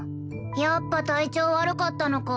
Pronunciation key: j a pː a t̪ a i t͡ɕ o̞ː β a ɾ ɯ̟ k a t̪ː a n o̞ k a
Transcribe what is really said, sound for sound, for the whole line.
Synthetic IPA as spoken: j a pː a t̪ a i t͡ɕ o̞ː β a ɾ ɯ̟ k a t̪ː a n o̞ k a